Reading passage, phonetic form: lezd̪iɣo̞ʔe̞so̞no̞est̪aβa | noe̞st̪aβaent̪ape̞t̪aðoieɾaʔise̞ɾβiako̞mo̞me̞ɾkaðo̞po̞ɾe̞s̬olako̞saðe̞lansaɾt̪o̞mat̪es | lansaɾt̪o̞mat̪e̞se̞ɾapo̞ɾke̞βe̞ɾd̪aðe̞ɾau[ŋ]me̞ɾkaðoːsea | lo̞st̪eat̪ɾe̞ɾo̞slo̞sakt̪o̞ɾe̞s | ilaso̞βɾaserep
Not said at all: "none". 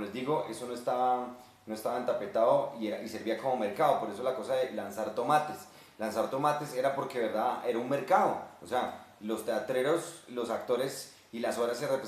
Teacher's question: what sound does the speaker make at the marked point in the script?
n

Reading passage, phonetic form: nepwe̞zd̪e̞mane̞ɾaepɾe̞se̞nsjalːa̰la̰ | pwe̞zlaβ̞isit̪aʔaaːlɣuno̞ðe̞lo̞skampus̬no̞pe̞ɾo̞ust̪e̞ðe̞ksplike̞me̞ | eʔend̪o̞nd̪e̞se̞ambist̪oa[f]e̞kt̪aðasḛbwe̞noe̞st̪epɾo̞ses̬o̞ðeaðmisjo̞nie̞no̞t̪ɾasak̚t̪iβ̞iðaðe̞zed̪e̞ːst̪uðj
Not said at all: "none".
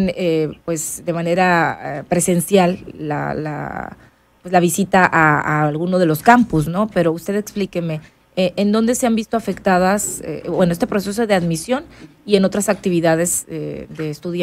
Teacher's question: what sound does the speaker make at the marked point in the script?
f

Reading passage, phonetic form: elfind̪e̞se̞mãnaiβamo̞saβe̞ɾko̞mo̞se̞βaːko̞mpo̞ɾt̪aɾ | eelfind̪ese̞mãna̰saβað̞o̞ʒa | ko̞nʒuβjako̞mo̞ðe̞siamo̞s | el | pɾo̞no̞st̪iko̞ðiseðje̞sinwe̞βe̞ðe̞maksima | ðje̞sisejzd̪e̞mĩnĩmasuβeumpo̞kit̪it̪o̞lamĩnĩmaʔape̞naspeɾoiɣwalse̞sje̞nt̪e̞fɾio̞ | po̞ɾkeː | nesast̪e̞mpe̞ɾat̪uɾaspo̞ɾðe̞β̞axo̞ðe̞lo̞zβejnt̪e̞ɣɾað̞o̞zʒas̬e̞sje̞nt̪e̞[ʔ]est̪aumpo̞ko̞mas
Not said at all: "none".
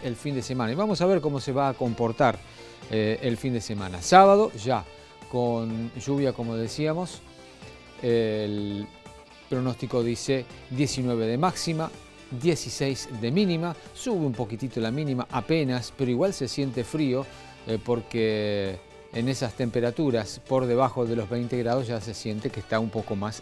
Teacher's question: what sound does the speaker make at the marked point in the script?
k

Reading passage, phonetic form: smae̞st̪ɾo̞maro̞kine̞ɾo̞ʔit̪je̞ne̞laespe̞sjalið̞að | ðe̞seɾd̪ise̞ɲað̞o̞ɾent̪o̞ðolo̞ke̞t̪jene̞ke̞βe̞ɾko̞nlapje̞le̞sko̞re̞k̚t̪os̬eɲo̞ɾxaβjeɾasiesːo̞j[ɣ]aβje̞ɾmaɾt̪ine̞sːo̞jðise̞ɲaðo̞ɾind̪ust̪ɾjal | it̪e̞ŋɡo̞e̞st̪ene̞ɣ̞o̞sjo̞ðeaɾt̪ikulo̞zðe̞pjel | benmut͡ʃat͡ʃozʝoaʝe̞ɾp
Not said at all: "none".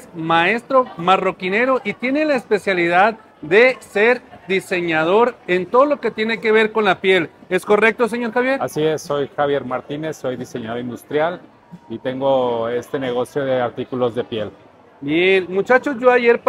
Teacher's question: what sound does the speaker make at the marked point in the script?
x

